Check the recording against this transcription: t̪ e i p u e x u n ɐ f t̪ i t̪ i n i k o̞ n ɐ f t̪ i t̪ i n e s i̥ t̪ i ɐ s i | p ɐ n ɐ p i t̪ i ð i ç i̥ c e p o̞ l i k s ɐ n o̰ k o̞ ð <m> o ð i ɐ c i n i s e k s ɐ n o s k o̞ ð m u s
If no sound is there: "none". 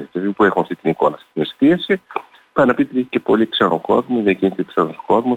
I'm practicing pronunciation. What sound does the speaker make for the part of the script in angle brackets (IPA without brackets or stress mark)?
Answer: m